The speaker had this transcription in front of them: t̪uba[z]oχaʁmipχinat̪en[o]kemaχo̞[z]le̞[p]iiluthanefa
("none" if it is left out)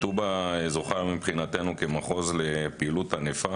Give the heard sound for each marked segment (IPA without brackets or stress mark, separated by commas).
z, u, z, p